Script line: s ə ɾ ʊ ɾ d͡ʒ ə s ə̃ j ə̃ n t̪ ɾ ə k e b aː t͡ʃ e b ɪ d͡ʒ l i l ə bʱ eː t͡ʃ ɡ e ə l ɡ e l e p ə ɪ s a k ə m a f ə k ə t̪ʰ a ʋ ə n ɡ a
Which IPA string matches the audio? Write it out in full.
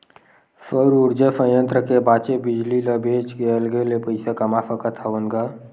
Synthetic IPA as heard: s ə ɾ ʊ ɾ d͡ʒ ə s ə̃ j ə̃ n t̪ ɾ ə k e b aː t͡ʃ e b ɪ d͡ʒ l i l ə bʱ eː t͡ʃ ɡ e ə l ɡ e l e p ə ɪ s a k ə m a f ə k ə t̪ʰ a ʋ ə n ɡ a